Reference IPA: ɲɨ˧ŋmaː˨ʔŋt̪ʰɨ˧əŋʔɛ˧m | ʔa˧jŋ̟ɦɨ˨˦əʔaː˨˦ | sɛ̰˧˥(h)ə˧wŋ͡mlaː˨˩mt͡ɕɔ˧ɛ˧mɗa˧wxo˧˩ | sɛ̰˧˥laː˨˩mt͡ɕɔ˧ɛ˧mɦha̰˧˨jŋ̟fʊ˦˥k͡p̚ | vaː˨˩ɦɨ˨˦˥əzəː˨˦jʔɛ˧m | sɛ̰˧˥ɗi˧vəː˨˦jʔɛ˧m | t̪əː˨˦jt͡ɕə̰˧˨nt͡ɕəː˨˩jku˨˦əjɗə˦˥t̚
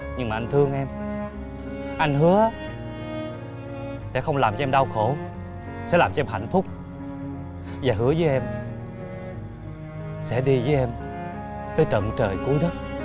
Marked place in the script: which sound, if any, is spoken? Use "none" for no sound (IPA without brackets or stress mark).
x